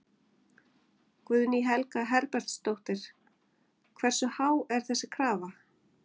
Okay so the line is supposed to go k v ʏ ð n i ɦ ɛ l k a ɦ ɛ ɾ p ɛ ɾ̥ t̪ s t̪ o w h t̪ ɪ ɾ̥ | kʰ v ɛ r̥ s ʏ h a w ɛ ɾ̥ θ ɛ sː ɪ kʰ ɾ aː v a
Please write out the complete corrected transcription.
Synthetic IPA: k v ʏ ð n i ɦ ɛ l k a ɦ ɛ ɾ p ɛ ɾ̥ t̪ s t̪ o w h t̪ ɪ ɾ̥ | kʰ v ɛ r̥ s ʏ h a w ɛ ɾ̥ θ ɛ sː ɪ kʰ ɾ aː v a